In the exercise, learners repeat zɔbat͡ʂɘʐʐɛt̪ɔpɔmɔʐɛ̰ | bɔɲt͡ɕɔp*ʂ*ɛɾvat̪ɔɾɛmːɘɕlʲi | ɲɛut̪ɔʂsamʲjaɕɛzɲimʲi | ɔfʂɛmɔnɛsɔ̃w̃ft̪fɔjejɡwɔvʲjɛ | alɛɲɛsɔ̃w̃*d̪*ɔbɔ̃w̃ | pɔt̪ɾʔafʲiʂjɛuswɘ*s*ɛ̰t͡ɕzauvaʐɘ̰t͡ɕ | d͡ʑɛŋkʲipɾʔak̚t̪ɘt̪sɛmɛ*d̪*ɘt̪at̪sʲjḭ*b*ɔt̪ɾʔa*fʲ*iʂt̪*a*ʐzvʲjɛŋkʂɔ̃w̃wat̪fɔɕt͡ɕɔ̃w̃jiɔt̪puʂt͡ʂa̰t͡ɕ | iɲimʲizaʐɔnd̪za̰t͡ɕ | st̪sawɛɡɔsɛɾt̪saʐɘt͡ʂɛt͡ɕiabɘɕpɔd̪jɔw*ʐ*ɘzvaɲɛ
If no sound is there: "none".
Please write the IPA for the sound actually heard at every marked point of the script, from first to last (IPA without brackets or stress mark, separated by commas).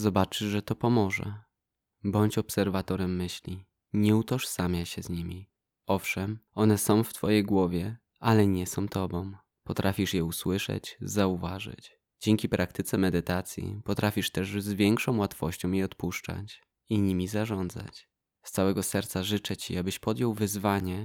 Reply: s, t̪, ʂ, d̪, p, fʲ, ɛ, v